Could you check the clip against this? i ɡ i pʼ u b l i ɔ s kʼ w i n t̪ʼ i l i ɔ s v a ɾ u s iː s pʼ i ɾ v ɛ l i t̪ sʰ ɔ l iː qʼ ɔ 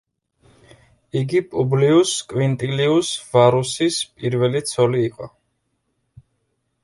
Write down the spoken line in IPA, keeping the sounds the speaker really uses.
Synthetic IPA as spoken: i ɡ i pʼ u b l i u s kʼ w i n t̪ʼ i l i u s v a ɾ u s i s pʼ i ɾ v ɛ l i t̪ sʰ ɔ l iː qʼ ɔ